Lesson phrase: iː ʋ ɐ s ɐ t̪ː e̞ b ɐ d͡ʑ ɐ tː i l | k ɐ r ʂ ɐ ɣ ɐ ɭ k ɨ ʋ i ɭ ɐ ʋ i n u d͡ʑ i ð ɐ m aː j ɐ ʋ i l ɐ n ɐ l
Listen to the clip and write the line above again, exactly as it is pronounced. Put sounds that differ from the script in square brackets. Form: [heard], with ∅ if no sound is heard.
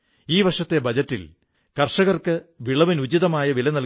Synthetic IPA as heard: iː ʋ ɐ [ʂ] ɐ t̪ː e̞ b ɐ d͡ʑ ɐ tː i l | k ɐ r ʂ ɐ ɣ ɐ [r] k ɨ ʋ i ɭ ɐ ʋ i n u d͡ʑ i ð ɐ m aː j ɐ ʋ i l ɐ n ɐ l